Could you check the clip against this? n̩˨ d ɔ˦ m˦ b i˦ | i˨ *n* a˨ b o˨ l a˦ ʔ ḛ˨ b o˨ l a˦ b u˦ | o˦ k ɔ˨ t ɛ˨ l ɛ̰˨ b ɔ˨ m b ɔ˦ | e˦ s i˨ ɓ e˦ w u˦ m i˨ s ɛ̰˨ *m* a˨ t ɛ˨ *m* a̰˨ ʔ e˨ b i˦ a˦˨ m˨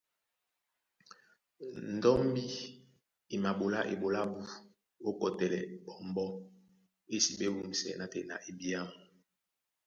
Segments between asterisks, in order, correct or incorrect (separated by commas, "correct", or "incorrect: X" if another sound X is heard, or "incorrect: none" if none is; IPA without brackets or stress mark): incorrect: m, incorrect: n, incorrect: n